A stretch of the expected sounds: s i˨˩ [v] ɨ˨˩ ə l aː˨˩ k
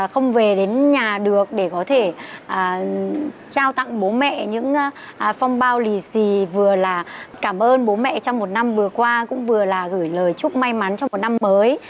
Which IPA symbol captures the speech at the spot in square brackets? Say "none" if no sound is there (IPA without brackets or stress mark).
v